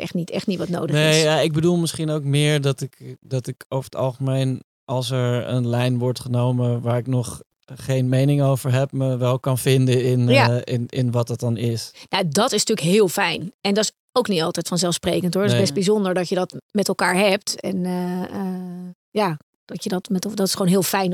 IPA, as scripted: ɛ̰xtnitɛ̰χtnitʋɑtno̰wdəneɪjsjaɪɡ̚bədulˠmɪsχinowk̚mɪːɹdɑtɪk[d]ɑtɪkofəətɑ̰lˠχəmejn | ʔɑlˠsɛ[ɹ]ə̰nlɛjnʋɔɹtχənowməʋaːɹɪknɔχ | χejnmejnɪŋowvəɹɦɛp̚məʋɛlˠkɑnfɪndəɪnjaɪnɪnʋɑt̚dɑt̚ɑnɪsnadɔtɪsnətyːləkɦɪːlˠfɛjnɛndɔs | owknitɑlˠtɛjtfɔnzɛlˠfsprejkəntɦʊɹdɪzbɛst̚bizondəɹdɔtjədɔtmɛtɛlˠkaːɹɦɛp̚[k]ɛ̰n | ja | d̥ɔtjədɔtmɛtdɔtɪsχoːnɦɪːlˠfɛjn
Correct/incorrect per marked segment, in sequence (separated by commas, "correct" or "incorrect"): correct, correct, incorrect